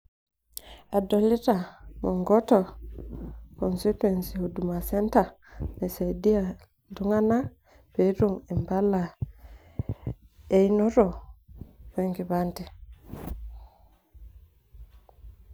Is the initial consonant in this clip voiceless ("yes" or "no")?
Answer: no